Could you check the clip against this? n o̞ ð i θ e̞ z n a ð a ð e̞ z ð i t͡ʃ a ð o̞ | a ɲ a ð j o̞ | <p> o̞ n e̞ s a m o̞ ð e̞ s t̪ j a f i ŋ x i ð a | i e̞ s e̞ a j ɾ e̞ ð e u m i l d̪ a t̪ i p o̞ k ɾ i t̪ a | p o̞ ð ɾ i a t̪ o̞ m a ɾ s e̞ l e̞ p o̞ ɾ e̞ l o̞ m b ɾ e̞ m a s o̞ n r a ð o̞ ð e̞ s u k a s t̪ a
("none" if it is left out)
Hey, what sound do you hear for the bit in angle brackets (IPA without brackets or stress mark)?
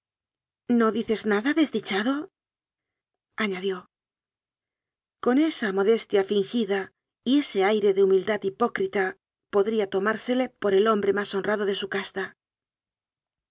k